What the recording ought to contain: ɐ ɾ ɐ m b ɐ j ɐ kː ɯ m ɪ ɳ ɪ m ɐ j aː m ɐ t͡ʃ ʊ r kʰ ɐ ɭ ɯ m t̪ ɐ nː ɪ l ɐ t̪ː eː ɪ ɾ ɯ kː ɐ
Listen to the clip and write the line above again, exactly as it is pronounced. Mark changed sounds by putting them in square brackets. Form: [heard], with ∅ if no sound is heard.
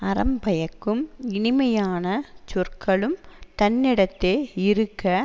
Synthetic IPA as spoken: ɐ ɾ ɐ m b ɐ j ɐ kː ɯ m ɪ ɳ ɪ m ɐ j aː [n] ɐ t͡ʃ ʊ r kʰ ɐ ɭ ɯ m t̪ ɐ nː ɪ [ɽ] ɐ t̪ː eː ɪ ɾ ɯ kː ɐ